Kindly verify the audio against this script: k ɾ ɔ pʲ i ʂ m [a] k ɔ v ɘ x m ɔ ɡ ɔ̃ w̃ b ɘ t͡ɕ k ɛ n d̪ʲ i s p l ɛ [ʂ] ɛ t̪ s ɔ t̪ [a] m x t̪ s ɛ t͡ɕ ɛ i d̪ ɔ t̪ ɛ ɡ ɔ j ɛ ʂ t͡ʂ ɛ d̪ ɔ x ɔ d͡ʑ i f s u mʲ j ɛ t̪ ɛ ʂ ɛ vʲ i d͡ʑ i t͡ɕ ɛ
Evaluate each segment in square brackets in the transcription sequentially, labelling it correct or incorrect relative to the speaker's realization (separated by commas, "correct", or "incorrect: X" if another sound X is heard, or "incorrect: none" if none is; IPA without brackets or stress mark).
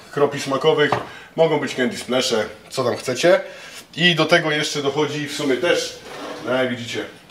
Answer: correct, correct, correct